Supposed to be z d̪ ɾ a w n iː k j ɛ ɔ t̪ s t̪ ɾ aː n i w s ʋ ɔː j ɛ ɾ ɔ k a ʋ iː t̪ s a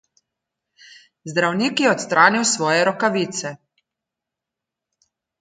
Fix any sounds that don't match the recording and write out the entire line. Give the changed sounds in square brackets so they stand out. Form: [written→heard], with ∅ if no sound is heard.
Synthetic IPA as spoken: z d̪ ɾ a w n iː k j ɛ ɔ t̪ s t̪ ɾ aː n i w s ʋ ɔː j ɛ ɾ ɔ k a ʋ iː t̪ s [a→ɛ]